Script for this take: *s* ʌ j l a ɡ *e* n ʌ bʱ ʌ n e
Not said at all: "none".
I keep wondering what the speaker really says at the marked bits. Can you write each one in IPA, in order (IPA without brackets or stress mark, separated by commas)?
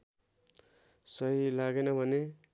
s, e